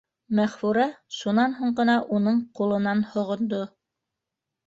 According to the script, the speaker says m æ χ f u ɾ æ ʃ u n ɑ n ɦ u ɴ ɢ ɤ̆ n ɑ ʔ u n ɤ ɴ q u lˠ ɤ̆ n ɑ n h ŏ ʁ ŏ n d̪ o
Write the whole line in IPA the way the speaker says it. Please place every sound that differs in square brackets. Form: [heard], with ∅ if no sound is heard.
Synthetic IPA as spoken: m æ χ f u ɾ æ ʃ u n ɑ n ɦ u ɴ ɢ ɤ̆ n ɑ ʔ u n ɤ ɴ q u lˠ ɤ̆ n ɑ n h ŏ ʁ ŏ n d̪ o